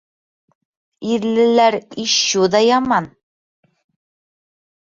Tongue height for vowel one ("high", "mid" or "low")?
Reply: high